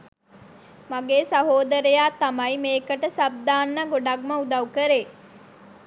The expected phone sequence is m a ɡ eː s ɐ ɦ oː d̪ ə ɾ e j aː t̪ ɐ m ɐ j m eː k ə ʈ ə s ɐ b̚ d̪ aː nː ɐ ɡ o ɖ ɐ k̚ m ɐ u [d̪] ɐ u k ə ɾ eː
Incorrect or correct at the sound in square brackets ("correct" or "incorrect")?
correct